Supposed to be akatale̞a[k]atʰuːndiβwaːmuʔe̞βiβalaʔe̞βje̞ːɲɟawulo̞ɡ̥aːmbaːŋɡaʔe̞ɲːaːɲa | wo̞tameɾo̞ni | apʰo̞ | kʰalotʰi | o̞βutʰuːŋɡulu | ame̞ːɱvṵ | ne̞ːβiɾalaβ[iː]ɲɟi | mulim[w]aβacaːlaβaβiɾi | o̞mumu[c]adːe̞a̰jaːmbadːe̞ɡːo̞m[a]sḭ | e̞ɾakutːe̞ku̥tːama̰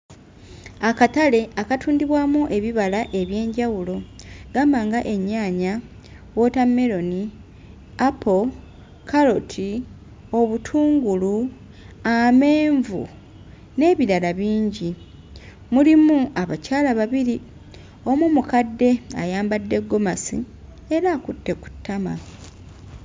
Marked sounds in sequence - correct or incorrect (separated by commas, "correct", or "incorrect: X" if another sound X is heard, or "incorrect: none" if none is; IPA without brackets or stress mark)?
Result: correct, correct, incorrect: u, incorrect: k, correct